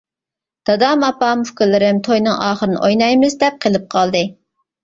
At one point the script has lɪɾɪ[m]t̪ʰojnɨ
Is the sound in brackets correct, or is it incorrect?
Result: correct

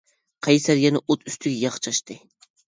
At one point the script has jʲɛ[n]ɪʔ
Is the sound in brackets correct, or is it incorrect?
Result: correct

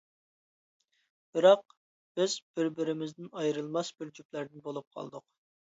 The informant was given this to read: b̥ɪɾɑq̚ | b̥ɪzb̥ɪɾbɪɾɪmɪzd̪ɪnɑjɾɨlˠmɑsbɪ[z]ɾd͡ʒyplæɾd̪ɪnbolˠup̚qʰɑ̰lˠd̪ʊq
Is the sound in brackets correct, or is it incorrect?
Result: incorrect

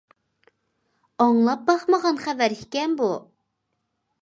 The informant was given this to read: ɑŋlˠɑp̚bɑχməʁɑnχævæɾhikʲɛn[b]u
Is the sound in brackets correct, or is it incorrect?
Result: correct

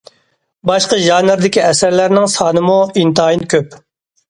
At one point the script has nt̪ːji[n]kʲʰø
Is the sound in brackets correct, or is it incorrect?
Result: correct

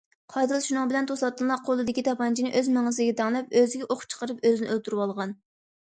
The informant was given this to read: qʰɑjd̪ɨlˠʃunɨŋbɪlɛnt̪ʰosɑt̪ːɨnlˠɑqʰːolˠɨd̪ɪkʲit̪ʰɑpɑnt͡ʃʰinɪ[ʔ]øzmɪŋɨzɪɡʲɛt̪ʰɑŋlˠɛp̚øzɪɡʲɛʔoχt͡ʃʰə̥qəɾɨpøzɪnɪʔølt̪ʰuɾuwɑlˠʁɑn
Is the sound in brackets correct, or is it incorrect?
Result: correct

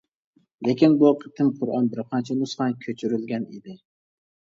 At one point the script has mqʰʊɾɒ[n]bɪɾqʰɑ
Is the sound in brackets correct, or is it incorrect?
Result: correct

